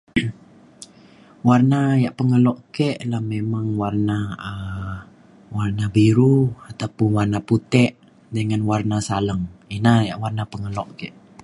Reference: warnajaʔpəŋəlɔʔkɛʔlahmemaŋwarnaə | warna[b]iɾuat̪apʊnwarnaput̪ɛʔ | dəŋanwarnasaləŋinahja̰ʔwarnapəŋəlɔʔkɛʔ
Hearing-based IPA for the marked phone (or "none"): b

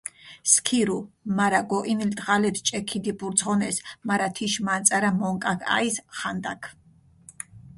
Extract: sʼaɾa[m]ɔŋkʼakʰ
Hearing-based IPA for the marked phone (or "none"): m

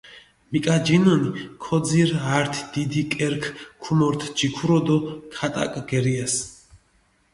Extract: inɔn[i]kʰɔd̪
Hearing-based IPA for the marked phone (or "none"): i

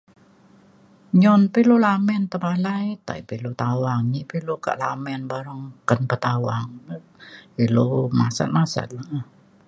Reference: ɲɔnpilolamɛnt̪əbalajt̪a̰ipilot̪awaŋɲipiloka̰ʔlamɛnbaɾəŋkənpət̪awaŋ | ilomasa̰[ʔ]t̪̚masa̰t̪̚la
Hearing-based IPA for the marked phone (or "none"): none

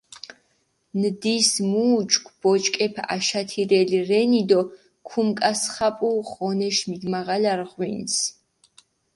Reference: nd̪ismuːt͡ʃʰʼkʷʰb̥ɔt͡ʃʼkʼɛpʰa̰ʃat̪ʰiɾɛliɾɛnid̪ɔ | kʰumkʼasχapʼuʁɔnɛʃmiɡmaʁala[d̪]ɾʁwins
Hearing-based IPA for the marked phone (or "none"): none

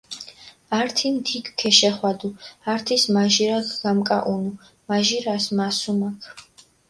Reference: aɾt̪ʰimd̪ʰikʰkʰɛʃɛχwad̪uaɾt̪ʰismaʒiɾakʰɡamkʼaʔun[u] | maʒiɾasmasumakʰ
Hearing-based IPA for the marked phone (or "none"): u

